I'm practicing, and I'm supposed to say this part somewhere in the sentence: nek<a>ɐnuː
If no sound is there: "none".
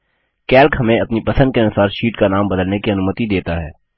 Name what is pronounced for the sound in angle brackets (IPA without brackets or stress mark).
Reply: i